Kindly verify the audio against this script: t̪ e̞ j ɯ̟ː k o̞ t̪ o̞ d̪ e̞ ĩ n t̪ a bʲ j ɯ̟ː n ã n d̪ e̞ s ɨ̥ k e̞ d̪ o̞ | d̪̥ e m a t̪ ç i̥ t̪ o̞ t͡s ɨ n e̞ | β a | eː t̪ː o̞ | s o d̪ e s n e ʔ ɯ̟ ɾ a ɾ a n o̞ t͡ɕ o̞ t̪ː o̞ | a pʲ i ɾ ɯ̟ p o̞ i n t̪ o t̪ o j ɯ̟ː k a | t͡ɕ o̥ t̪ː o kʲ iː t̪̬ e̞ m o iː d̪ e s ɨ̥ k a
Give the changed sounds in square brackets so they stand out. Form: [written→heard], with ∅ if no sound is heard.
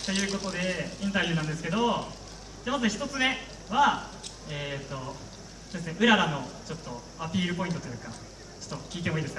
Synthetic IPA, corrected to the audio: t̪ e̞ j ɯ̟ː k o̞ t̪ o̞ d̪ e̞ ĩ n t̪ a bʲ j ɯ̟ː n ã n d̪ e̞ s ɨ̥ k e̞ d̪ o̞ | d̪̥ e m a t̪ ç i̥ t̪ o̞ t͡s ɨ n e̞ | β a | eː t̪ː o̞ | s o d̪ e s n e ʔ ɯ̟ ɾ a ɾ a n o̞ t͡ɕ o̞ t̪ː o̞ | a pʲ [i→iː] ɾ ɯ̟ p o̞ i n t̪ o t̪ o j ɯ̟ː k a | t͡ɕ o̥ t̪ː o kʲ iː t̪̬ e̞ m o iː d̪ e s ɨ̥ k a